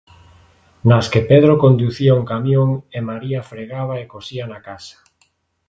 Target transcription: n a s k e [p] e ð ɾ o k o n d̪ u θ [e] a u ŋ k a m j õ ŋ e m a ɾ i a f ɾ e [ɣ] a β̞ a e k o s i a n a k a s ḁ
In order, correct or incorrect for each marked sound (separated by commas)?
correct, incorrect, correct